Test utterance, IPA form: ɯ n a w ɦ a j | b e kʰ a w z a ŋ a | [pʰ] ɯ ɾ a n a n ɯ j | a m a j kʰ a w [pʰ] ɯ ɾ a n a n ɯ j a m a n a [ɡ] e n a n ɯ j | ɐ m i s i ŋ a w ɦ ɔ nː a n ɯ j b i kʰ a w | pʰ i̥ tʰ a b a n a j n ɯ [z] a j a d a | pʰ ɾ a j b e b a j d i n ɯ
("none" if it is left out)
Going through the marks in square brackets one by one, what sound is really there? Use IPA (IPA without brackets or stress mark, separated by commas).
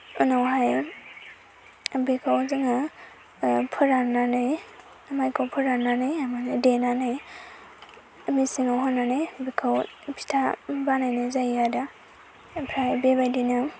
pʰ, pʰ, d, z